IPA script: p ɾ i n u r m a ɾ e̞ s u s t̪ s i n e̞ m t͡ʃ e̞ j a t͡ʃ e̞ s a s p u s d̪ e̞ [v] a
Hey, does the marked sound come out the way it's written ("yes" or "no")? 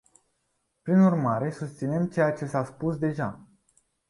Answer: no